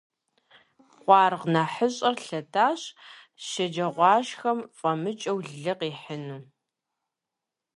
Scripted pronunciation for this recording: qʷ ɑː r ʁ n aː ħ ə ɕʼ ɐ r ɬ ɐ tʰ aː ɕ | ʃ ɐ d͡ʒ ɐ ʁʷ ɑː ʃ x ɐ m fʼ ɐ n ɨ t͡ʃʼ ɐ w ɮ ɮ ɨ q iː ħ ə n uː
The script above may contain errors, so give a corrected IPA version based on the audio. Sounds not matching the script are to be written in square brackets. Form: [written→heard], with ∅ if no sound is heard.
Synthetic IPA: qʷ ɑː r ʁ n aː ħ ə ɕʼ ɐ r ɬ ɐ tʰ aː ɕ | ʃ ɐ d͡ʒ ɐ ʁʷ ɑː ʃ x ɐ m fʼ ɐ [n→m] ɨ t͡ʃʼ ɐ w ɮ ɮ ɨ q iː ħ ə n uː